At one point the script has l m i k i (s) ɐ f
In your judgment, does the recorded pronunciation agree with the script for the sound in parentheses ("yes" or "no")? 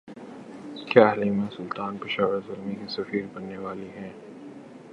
yes